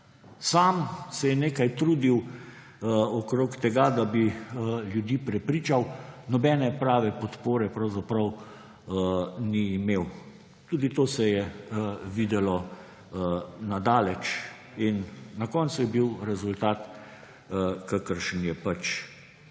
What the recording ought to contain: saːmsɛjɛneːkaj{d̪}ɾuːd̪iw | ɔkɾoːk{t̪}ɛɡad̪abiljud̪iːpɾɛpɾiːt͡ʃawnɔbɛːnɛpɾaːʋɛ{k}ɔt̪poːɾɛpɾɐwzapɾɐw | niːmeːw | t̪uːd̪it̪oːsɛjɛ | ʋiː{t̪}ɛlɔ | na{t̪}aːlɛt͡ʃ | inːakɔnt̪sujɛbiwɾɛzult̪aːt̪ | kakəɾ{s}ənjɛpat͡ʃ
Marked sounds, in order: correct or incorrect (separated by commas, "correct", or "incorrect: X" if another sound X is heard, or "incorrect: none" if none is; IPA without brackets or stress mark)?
incorrect: t̪, correct, incorrect: p, incorrect: d̪, incorrect: d̪, incorrect: ʃ